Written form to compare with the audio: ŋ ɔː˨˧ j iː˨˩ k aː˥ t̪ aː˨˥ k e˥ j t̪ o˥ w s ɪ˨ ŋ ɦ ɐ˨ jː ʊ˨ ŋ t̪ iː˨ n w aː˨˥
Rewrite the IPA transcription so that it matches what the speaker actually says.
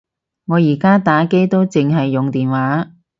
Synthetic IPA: ŋ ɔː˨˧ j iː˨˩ k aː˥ t̪ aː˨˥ k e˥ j t̪ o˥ w t͡s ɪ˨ ŋ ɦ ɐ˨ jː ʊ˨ ŋ t̪ iː˨ n w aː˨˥